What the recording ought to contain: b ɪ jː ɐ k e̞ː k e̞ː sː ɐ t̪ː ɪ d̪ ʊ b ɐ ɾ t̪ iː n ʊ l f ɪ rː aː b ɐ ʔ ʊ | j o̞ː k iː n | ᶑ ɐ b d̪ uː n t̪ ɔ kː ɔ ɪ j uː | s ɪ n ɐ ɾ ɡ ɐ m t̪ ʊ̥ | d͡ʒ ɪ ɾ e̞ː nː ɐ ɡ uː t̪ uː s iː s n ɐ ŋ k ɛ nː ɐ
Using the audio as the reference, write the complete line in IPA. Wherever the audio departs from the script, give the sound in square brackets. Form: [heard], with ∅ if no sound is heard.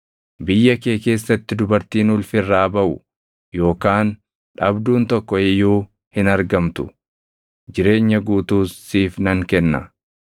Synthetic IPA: b ɪ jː ɐ k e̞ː k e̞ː sː ɐ t̪ː ɪ d̪ ʊ b ɐ ɾ t̪ iː n ʊ l f ɪ rː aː b ɐ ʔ ʊ | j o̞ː k [aː] n | ᶑ ɐ b d̪ uː n t̪ ɔ kː ɔ ɪ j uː | [h] ɪ n ɐ ɾ ɡ ɐ m t̪ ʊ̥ | d͡ʒ ɪ ɾ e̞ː [ɲː] ɐ ɡ uː t̪ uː s iː [f] n ɐ ŋ k ɛ nː ɐ